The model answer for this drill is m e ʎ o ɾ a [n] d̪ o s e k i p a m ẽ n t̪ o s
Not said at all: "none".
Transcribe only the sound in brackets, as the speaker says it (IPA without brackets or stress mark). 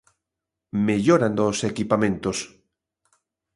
n